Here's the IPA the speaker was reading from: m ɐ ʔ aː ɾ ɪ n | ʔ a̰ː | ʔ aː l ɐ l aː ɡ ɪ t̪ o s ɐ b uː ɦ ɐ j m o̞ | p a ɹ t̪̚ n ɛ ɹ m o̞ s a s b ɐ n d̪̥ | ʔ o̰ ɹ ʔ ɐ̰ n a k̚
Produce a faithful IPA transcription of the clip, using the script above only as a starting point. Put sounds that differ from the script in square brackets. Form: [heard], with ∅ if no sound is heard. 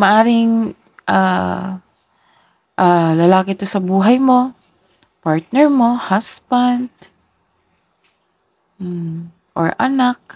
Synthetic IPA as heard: m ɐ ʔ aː ɾ ɪ [ŋ] | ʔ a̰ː | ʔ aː l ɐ l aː [k] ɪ t̪ o s ɐ b uː ɦ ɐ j m o̞ | p a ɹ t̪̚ n ɛ ɹ m o̞ [h] a s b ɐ n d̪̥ | ʔ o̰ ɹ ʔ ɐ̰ n a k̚